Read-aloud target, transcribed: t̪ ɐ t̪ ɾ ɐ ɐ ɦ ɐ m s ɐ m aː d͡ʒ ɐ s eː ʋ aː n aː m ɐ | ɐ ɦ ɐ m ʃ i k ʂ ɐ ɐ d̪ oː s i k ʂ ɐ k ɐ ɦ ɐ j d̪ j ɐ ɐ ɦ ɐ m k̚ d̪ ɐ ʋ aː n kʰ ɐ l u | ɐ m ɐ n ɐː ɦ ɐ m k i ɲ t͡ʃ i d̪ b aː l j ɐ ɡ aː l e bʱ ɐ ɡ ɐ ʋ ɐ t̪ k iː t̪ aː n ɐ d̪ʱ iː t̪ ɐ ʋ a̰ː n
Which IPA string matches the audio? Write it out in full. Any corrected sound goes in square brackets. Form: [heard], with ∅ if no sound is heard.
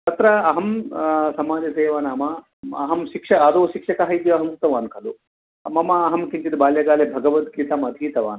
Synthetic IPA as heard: t̪ ɐ t̪ ɾ ɐ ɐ ɦ ɐ m s ɐ m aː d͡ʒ ɐ s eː ʋ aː n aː m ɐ | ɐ ɦ ɐ m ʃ i k ʂ ɐ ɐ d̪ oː [ʃ] i k ʂ ɐ k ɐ ɦ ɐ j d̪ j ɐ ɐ ɦ ɐ m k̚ [t̪] ɐ ʋ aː n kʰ ɐ l u | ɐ m ɐ [m] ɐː ɦ ɐ m k i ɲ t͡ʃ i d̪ b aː l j ɐ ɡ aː l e bʱ ɐ ɡ ɐ ʋ ɐ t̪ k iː t̪ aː [m] ɐ d̪ʱ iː t̪ ɐ ʋ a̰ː n